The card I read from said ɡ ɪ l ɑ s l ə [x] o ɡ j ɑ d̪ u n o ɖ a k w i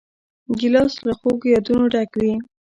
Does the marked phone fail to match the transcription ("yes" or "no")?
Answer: no